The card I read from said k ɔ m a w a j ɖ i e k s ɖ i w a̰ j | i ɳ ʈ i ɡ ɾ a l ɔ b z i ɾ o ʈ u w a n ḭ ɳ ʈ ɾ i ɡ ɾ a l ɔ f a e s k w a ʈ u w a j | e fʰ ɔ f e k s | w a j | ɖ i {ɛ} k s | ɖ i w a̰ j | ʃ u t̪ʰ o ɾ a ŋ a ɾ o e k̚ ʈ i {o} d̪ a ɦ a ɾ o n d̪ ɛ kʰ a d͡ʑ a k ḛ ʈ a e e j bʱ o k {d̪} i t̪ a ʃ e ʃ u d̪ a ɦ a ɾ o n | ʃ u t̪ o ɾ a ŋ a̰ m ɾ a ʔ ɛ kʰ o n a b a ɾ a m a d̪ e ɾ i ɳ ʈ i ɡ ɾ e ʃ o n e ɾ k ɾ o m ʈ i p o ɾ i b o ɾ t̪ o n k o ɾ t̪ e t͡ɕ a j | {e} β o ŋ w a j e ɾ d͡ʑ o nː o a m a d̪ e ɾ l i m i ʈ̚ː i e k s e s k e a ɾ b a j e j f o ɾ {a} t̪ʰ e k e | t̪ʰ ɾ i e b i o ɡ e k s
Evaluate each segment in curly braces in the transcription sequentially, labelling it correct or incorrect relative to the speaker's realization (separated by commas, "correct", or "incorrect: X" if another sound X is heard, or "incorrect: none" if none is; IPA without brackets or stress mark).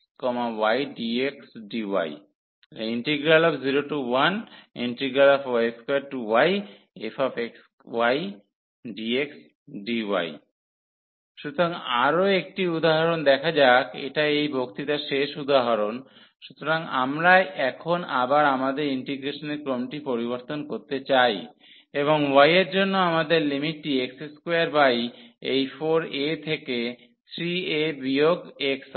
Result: incorrect: e, incorrect: u, incorrect: t̪, correct, incorrect: e